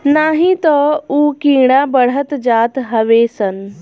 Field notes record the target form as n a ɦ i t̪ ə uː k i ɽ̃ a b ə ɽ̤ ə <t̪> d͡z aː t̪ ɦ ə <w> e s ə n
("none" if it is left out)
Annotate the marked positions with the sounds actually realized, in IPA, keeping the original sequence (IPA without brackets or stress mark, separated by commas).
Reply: t̪, ʋ